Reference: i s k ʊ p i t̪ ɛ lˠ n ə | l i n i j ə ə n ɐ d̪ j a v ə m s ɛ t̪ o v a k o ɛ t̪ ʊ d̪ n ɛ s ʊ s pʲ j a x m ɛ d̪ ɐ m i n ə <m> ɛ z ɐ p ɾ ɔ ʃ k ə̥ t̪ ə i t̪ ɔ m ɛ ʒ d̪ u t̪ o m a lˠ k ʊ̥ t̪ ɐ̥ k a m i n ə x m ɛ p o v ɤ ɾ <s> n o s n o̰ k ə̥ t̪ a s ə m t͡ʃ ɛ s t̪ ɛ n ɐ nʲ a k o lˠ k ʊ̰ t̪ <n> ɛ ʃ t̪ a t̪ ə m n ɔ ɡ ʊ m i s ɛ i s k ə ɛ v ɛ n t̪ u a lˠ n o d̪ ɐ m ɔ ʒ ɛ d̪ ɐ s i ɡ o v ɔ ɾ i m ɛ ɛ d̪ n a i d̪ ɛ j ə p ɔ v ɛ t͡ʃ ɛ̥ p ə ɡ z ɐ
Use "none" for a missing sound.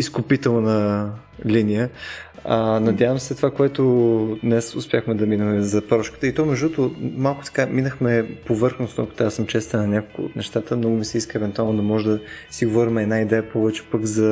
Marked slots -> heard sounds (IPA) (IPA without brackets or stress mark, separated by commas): m, x, n